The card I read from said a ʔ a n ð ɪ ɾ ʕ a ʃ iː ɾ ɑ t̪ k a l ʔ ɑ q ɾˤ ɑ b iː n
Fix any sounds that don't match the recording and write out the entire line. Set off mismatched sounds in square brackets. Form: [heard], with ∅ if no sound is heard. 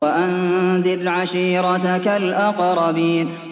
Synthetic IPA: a ʔ a n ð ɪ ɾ ʕ a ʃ iː ɾ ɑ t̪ k a l ʔ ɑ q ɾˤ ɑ b iː n